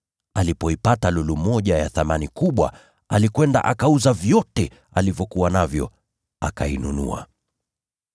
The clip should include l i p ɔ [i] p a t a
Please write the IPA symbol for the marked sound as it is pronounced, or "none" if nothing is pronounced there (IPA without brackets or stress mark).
i